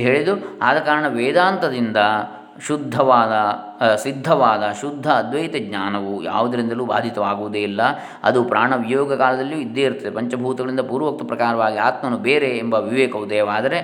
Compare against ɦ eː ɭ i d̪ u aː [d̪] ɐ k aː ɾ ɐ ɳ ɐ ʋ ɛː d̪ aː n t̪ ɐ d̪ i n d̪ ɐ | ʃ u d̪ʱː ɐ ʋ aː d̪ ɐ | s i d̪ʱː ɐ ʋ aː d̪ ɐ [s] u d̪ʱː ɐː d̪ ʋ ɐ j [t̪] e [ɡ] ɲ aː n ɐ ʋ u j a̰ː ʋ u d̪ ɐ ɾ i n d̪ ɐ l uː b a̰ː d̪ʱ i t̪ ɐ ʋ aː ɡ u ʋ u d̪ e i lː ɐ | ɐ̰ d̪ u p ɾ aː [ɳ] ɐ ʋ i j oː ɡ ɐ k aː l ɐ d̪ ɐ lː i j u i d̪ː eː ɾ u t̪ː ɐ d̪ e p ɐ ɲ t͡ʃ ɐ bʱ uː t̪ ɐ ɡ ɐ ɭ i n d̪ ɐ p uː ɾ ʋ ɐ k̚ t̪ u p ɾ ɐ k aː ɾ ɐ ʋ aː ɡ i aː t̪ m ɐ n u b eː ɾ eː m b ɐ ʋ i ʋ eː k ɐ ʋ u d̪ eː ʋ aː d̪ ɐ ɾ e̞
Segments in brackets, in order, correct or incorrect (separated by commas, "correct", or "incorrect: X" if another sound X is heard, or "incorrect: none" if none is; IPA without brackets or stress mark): correct, incorrect: ʃ, correct, correct, correct